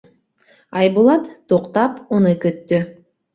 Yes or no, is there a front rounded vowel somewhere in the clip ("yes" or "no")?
yes